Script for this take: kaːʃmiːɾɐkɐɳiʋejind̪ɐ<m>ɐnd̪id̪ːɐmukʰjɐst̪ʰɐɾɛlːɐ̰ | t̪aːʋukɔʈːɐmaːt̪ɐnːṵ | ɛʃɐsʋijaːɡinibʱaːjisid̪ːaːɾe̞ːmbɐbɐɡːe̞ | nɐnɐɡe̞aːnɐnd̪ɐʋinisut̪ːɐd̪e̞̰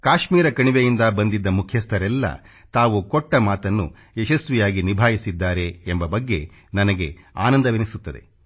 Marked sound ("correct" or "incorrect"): incorrect